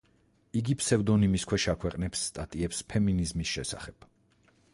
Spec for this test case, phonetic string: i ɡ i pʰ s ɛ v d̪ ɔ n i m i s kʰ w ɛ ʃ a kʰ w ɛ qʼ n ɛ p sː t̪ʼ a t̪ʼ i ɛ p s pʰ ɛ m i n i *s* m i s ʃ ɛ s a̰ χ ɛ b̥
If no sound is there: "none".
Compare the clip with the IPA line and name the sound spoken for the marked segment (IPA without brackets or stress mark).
z